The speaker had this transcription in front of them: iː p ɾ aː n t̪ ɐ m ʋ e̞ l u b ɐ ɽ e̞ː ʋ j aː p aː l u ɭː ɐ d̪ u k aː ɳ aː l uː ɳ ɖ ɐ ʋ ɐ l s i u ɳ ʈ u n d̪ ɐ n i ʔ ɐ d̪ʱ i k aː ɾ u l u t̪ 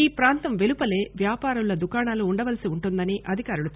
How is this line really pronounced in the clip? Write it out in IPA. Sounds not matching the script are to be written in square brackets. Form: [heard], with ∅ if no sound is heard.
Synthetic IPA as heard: iː p ɾ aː n t̪ ɐ m ʋ e̞ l u [p] ɐ [l] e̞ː ʋ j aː p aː [ɾ] u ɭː ɐ d̪ u k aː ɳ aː l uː ɳ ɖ ɐ ʋ ɐ l s i u ɳ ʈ u n d̪ ɐ n i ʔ ɐ d̪ʱ i k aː ɾ u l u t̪

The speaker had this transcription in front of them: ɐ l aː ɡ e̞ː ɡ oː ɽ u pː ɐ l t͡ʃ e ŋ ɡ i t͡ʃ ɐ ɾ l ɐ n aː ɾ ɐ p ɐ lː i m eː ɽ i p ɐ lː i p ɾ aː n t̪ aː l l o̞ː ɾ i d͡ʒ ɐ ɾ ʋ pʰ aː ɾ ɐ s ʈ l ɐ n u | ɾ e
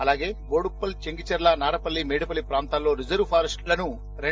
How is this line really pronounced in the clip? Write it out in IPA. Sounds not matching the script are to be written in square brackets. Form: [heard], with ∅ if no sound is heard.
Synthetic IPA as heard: ɐ l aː ɡ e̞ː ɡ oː ɽ u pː ɐ l t͡ʃ e ŋ ɡ i t͡ʃ ɐ ɾ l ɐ n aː ɾ ɐ p ɐ lː i m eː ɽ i p ɐ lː i p ɾ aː n t̪ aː l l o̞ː ɾ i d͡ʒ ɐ ɾ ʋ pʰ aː ɾ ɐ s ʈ l ɐ n u | ɾ e

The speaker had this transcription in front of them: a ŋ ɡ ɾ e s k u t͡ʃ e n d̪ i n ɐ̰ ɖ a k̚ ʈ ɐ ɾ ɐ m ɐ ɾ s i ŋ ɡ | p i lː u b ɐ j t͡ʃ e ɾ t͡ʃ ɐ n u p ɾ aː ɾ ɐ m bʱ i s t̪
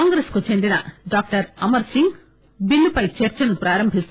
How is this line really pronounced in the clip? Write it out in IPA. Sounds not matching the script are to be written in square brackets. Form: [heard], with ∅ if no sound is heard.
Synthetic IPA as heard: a ŋ ɡ ɾ e s k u t͡ʃ e n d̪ i n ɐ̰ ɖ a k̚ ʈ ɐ ɾ ɐ m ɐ ɾ s i ŋ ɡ | [b] i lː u [p] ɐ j t͡ʃ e ɾ t͡ʃ ɐ n u p ɾ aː ɾ ɐ m bʱ i s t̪

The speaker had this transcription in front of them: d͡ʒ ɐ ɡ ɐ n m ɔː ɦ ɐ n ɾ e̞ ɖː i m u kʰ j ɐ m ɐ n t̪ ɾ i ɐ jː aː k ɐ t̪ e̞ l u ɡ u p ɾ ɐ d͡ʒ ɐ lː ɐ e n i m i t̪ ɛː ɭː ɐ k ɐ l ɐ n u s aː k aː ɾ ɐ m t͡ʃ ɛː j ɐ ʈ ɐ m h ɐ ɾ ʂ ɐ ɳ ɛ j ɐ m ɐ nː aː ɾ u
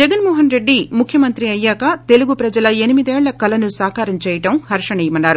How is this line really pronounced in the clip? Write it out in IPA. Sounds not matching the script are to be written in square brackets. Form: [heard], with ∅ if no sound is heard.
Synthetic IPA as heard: d͡ʒ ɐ ɡ ɐ n m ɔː ɦ ɐ n ɾ e̞ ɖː i m u kʰ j ɐ m ɐ n t̪ ɾ i ɐ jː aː k ɐ t̪ e̞ l u ɡ u p ɾ ɐ d͡ʒ ɐ [l] ɐ e n i m i [d̪] ɛː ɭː ɐ k ɐ l ɐ n u s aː k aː ɾ ɐ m t͡ʃ ɛː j ɐ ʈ ɐ m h ɐ ɾ ʂ ɐ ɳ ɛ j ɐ m ɐ nː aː ɾ u

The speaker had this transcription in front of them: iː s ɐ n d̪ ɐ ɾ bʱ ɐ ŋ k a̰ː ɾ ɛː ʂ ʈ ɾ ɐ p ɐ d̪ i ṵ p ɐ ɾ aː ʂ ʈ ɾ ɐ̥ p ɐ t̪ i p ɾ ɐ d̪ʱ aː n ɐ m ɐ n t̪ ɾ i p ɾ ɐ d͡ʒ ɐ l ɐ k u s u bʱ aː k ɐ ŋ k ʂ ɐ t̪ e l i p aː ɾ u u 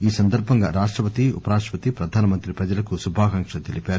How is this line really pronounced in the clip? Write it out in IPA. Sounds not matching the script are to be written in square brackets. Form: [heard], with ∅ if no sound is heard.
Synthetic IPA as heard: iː s ɐ n d̪ ɐ ɾ bʱ ɐ ŋ [ɡ] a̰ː ɾ [aː] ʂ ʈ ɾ ɐ p ɐ [t̪] i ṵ p ɐ ɾ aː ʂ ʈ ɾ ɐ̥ p ɐ t̪ i p ɾ ɐ d̪ʱ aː n ɐ m ɐ n t̪ ɾ i p ɾ ɐ d͡ʒ ɐ l ɐ k u s u bʱ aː k ɐ ŋ k ʂ ɐ t̪ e l i p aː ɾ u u

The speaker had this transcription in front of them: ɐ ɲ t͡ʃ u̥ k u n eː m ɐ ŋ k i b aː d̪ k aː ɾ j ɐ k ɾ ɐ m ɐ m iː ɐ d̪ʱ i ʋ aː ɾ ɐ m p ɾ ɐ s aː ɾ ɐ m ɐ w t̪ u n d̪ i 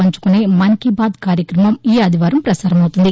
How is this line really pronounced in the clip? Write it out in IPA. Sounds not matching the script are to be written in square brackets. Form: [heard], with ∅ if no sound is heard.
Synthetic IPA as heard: ɐ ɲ t͡ʃ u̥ k u n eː m ɐ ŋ k i b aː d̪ k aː ɾ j ɐ k ɾ ɐ m ɐ m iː ɐ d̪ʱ i ʋ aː ɾ ɐ m p ɾ ɐ s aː ɾ ɐ m ɐ w t̪ u n d̪ i

